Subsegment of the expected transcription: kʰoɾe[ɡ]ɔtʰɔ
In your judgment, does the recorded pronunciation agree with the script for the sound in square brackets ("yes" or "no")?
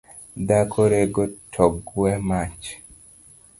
yes